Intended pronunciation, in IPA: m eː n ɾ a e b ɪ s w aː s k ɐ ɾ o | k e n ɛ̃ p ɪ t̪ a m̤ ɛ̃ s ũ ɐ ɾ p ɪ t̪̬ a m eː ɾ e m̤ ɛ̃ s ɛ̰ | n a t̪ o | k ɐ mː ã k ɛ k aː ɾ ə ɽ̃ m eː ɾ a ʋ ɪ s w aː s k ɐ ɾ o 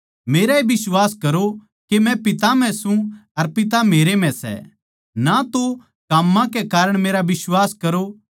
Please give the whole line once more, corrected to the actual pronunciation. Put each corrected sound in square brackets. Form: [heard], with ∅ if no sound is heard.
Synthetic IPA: m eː [∅] ɾ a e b ɪ s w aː s k ɐ ɾ o | k e [m] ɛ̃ p ɪ t̪ a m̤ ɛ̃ s ũ ɐ ɾ p ɪ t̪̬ a m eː ɾ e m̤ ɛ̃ s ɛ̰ | n a t̪ o | k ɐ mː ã k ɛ k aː ɾ ə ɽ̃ m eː ɾ a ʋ ɪ s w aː s k ɐ ɾ o